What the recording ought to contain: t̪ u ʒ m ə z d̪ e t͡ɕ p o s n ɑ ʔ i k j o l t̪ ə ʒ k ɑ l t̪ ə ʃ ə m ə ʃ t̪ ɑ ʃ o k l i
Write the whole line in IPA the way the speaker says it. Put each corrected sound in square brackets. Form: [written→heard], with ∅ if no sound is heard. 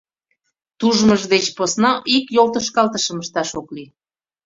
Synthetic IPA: t̪ u ʒ m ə [z→ʒ] d̪ e t͡ɕ p o s n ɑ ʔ i k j o l t̪ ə [ʒ→ʃ] k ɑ l t̪ ə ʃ ə m ə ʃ t̪ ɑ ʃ o k l i

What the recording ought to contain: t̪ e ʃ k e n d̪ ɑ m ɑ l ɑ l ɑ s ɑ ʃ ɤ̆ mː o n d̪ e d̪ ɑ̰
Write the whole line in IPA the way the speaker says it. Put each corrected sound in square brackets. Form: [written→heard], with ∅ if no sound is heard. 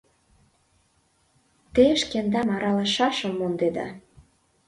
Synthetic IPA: t̪ e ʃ k e n d̪ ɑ m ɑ [l→ɾ] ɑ l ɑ [s→ʃ] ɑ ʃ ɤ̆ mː o n d̪ e d̪ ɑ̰

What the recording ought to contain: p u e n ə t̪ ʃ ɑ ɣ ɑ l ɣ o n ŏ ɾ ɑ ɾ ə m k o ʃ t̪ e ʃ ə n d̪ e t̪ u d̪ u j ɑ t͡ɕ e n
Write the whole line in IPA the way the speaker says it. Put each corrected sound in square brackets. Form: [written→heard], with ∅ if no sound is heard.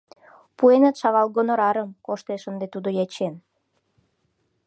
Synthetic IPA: p u e n ə t̪ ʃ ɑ ɣ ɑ l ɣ o n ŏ ɾ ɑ ɾ ə m k o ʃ t̪ e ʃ ə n d̪ e t̪ u d̪ [u→o] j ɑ t͡ɕ e n

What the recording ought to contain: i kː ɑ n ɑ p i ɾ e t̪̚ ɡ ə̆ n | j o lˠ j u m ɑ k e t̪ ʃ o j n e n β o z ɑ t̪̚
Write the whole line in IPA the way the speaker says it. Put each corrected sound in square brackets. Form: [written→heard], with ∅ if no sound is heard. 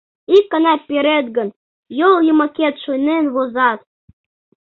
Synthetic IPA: i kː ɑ n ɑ p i ɾ e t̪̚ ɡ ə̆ n | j o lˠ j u m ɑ k e t̪ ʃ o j n e n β o z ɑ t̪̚

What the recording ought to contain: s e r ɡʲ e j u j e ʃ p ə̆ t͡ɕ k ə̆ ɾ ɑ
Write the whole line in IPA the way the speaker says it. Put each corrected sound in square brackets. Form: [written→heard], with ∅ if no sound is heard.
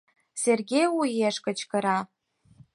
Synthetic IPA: s e r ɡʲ e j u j e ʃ [p→k] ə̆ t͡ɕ k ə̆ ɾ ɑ

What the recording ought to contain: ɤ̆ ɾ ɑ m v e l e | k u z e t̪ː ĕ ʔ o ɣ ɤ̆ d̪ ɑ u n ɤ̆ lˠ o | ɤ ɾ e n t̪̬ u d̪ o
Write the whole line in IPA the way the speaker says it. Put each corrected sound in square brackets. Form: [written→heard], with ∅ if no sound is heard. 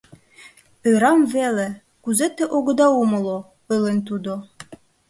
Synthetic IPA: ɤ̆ ɾ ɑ m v e l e | k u z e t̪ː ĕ ʔ o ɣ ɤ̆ d̪ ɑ u [n→m] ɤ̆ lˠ o | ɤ [ɾ→l] e n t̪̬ u d̪ o

